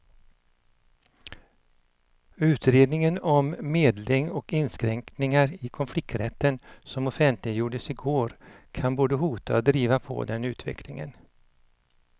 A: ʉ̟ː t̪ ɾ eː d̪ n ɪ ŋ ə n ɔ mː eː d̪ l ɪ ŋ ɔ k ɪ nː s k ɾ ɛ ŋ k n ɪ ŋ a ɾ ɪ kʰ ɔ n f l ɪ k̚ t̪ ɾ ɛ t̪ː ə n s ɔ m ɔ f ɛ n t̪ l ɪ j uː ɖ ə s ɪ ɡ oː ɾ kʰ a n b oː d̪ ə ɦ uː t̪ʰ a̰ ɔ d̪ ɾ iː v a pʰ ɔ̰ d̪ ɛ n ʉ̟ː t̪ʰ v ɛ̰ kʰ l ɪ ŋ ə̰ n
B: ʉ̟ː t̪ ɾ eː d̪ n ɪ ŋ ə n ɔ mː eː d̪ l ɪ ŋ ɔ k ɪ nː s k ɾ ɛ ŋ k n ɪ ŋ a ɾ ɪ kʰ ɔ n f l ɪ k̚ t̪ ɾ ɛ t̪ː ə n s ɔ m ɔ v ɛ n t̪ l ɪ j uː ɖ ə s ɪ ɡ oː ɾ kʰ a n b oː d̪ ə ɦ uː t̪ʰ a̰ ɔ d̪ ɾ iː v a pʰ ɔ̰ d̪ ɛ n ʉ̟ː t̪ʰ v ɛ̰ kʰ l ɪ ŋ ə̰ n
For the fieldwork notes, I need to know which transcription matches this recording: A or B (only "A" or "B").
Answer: A